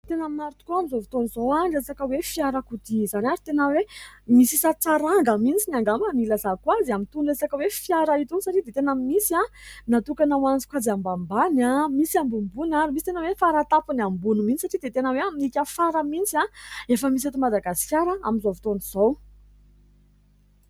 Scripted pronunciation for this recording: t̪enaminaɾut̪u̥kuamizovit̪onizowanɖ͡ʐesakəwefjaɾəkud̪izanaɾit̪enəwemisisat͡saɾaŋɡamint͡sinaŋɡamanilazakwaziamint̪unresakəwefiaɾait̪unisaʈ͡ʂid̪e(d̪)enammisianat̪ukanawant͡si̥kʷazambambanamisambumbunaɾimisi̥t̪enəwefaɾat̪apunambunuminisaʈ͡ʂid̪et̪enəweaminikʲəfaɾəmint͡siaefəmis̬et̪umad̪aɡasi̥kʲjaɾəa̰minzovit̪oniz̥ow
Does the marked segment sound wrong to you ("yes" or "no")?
yes